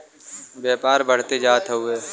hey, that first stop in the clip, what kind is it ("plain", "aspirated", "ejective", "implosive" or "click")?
plain